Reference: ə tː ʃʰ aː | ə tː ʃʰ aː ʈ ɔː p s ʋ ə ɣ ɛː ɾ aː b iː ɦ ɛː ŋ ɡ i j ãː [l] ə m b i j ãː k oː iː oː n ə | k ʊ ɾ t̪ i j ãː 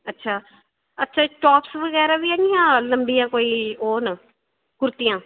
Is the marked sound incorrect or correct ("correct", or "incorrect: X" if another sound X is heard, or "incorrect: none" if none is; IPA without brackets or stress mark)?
correct